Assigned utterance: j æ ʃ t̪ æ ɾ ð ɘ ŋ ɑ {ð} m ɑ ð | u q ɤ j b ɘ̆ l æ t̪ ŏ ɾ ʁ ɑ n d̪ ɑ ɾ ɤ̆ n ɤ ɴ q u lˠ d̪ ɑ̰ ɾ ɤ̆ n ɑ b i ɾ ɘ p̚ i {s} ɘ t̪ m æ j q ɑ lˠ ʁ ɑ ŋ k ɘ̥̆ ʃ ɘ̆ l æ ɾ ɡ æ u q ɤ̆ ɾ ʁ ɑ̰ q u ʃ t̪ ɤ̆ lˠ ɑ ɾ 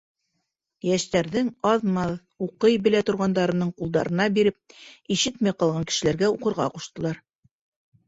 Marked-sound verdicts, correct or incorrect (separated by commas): correct, incorrect